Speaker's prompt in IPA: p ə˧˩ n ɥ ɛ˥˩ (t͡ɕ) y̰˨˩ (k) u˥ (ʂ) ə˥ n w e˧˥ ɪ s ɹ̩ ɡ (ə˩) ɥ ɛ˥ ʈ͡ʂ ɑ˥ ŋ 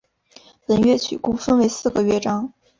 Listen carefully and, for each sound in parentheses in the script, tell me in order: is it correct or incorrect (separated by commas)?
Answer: incorrect, correct, incorrect, correct